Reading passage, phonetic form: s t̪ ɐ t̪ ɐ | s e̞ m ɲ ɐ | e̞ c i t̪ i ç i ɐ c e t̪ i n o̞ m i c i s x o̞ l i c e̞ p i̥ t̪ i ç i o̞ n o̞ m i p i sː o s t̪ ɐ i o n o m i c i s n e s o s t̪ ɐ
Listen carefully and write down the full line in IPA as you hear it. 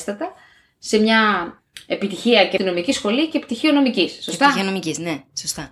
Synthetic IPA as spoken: s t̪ ɐ t̪ ɐ | s e̞ m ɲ ɐ | e̞ p i t̪ i ç i ɐ c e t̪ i n o̞ m i c i s x o̞ l i c e̞ p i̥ t̪ i ç i o̞ n o̞ m i c i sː o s t̪ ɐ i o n o m i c i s n e s o s t̪ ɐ